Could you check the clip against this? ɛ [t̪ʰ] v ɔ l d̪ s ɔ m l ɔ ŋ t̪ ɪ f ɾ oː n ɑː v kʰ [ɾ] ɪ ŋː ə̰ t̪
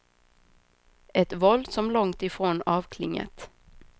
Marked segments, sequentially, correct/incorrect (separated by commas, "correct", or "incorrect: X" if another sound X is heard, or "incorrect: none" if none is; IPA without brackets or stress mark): incorrect: t̪, incorrect: l